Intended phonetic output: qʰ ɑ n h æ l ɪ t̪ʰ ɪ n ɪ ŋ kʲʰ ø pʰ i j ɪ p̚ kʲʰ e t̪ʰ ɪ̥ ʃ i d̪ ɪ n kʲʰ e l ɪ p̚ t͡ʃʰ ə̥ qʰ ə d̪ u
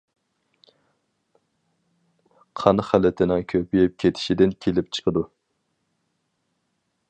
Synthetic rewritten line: qʰ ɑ n χ æ l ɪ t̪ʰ ɪ n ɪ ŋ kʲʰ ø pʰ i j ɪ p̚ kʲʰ e t̪ʰ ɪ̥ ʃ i d̪ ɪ n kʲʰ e l ɪ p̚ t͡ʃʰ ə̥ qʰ ə d̪ u